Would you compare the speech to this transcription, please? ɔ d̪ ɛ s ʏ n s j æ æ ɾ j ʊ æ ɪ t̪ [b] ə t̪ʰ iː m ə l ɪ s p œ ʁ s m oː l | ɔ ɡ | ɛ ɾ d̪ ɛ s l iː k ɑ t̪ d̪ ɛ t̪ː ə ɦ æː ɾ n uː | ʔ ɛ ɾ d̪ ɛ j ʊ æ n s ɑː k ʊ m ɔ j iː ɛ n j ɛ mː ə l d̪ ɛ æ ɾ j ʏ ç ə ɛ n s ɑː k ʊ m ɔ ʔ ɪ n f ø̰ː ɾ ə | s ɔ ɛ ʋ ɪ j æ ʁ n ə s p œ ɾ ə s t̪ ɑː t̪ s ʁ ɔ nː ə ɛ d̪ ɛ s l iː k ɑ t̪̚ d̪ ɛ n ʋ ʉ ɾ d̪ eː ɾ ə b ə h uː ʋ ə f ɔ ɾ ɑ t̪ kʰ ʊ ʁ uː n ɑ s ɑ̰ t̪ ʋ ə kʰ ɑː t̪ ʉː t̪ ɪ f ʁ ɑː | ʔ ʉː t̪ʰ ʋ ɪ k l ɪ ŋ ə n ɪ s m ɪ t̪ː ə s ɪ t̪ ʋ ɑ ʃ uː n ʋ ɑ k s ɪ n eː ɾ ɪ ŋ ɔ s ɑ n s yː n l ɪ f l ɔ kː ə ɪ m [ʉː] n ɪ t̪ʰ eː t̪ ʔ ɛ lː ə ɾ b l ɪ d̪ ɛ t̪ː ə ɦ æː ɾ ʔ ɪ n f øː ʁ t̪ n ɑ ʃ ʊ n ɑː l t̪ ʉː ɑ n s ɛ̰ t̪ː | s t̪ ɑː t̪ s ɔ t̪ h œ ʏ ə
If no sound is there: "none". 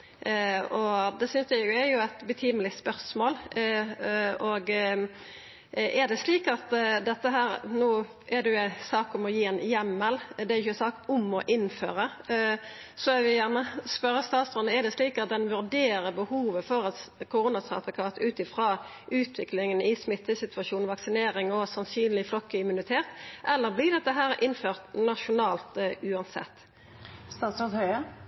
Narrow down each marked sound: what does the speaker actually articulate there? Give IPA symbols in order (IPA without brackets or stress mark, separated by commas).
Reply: b, ʉ